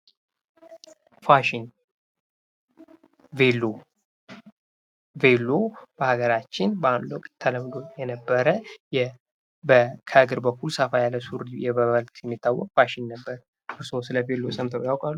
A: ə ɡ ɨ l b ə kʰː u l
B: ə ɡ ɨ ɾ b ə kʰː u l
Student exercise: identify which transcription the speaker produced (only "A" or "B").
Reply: B